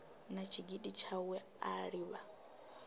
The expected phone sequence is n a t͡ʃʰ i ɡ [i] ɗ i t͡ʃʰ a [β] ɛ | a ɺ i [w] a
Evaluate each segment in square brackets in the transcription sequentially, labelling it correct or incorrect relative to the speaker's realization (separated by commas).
correct, incorrect, incorrect